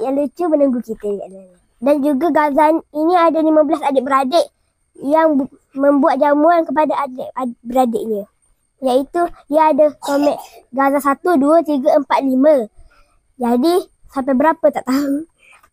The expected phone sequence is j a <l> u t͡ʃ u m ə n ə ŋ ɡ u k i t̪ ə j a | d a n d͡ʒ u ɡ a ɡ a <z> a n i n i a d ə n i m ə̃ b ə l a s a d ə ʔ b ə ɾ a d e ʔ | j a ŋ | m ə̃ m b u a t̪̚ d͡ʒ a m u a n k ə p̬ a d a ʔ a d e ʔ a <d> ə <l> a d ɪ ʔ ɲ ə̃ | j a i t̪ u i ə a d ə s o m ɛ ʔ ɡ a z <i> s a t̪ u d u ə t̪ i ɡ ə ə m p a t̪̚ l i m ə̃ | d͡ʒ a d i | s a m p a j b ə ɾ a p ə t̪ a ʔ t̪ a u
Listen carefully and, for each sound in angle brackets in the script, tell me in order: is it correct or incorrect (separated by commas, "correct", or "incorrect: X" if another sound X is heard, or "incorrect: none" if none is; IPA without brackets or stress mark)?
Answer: correct, correct, incorrect: b, incorrect: ɾ, incorrect: a